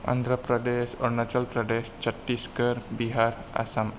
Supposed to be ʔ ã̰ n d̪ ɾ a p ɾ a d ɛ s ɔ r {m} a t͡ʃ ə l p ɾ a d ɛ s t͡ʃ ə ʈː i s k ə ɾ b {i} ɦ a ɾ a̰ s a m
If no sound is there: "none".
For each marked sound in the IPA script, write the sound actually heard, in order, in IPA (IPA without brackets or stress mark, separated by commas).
n, i